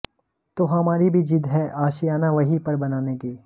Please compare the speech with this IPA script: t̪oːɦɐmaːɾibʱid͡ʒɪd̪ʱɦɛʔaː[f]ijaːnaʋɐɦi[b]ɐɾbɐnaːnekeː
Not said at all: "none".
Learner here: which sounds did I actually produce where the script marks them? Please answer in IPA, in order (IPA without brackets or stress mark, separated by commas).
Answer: ʃ, p